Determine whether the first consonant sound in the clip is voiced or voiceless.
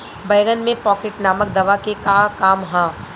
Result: voiced